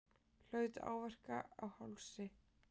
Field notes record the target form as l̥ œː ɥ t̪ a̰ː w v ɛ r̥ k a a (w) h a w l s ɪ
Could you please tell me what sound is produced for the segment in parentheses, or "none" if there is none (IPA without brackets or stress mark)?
w